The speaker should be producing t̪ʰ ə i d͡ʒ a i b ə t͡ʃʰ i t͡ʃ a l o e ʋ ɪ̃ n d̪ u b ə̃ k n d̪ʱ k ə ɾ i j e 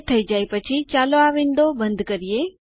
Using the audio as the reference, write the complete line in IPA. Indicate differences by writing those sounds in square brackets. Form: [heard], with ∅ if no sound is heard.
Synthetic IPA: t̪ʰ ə i d͡ʒ a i [p] ə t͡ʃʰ i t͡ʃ a l o [a] ʋ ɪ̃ n d̪ [o] b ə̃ [∅] n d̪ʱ k ə ɾ i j e